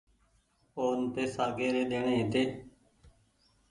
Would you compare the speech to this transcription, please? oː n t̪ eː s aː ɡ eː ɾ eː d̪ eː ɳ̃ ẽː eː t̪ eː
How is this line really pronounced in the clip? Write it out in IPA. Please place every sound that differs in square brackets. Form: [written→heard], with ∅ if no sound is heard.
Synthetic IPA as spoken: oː n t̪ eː s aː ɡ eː ɾ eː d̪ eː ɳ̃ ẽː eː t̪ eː